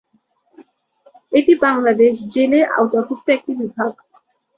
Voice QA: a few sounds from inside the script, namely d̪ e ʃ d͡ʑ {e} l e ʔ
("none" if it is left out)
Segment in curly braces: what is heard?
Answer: e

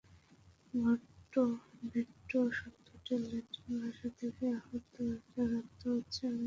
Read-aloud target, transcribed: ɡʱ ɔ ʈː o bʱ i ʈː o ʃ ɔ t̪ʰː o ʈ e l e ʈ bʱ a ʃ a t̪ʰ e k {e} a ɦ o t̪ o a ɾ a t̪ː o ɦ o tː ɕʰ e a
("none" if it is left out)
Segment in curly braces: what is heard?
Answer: e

